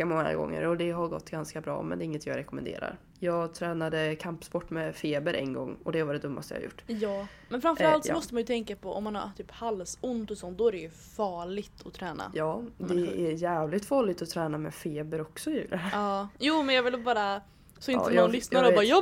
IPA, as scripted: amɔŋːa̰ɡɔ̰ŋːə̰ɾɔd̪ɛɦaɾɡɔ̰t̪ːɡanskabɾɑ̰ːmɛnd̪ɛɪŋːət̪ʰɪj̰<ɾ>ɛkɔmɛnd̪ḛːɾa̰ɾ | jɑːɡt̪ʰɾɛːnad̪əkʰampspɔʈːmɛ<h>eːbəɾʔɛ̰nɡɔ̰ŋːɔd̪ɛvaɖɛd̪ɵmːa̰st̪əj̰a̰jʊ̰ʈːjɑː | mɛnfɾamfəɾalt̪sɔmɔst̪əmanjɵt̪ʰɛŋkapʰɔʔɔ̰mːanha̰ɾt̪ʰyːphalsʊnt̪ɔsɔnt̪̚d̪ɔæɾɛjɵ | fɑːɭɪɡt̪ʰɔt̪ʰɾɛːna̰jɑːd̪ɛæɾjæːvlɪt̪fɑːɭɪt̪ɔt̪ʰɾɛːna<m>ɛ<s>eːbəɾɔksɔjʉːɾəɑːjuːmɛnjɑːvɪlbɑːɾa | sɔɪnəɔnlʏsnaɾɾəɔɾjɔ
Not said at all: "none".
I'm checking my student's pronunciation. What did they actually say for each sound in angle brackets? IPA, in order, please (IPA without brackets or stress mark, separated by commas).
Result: ɾ, f, m, f